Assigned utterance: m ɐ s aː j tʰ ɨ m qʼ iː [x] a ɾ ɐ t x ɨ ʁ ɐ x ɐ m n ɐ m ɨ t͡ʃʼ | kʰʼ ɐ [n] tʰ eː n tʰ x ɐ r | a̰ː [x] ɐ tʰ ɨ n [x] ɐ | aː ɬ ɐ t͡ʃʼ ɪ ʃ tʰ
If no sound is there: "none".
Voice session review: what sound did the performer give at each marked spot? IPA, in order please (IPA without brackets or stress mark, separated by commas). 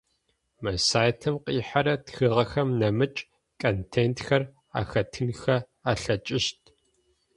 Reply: ħ, n, x, x